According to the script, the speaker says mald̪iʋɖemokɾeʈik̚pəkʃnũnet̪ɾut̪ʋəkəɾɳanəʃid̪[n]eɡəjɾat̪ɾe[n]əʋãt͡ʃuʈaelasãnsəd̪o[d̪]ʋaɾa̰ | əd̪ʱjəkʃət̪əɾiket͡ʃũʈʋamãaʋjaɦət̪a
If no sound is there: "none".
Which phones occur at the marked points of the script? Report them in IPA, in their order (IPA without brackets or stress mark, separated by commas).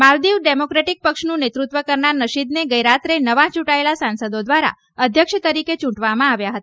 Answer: n, n, d̪